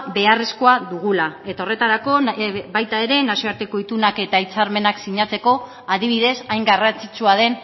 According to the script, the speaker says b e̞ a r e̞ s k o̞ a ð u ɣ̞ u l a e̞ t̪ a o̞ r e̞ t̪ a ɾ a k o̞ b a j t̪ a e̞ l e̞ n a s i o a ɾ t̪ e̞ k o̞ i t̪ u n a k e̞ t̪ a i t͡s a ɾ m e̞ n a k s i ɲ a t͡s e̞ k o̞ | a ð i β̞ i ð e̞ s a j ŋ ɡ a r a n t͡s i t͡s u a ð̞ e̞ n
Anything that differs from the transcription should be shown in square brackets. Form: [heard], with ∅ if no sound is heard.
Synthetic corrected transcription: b e̞ a r e̞ s k o̞ a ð u ɣ̞ u l a e̞ t̪ a o̞ r e̞ t̪ a ɾ a k o̞ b a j t̪ a e̞ [ɾ] e̞ n a s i o a ɾ t̪ e̞ k o̞ i t̪ u n a k e̞ t̪ a i t͡s a ɾ m e̞ n a k s i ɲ a t͡s e̞ k o̞ | a ð i β̞ i ð e̞ s a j ŋ ɡ a r a n t͡s i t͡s u a ð̞ e̞ n